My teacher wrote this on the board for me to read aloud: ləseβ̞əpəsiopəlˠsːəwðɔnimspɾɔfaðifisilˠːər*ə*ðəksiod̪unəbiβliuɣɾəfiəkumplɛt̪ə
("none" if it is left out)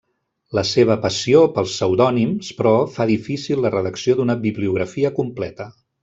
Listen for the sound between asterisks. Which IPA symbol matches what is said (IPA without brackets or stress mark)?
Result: ə